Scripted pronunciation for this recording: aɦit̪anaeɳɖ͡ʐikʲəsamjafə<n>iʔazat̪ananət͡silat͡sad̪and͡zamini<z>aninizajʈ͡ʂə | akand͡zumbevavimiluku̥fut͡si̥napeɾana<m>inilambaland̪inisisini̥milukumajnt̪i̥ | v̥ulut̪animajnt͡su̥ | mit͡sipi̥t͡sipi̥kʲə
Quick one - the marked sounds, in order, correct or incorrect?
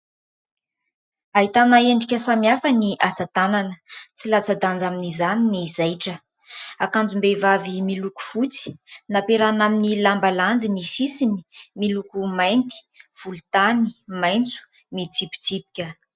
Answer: correct, correct, correct

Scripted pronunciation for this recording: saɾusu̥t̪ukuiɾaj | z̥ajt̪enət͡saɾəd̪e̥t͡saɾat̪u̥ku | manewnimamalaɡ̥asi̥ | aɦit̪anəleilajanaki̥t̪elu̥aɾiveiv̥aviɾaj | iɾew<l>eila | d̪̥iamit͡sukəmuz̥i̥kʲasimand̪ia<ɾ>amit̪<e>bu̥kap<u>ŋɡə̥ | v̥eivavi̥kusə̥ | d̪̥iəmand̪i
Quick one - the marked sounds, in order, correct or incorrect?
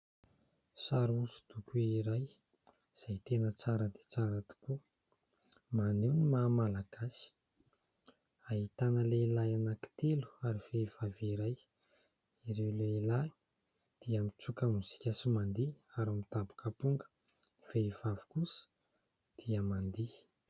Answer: correct, correct, incorrect: a, correct

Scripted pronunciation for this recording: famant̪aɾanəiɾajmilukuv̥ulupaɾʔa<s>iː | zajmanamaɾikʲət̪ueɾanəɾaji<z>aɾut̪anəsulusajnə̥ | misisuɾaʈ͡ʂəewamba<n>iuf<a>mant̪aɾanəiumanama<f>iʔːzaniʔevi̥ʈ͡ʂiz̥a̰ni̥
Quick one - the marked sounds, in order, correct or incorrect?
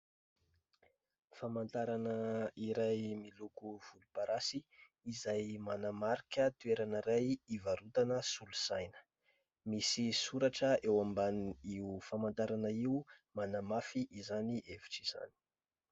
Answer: correct, incorrect: v, correct, correct, correct

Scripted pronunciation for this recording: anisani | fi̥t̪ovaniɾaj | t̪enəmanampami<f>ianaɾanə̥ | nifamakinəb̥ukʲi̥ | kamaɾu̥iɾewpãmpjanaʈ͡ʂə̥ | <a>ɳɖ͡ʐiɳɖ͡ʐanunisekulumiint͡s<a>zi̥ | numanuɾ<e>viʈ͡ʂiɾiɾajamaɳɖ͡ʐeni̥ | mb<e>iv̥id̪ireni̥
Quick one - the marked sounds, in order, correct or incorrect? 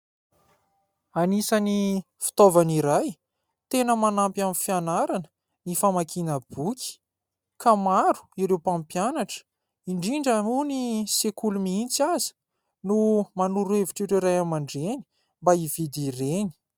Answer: correct, incorrect: i, correct, correct, incorrect: a

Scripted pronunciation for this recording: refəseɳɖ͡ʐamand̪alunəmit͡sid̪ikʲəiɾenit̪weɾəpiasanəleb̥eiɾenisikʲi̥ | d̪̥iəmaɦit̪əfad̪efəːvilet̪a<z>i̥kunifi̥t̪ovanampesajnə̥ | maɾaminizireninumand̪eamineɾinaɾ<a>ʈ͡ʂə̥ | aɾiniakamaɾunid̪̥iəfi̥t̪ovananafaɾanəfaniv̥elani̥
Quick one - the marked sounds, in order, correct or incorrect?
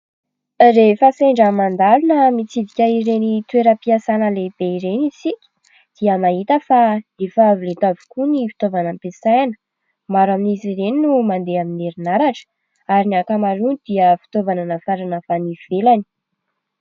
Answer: incorrect: v, correct

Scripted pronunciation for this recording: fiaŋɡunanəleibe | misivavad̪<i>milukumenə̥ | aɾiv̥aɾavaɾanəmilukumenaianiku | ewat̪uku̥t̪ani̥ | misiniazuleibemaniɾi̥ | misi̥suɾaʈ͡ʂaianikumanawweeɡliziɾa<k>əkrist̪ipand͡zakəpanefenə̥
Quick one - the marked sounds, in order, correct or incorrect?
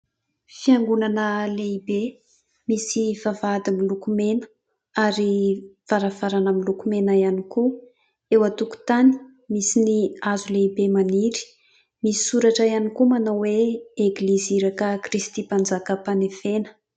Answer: correct, correct

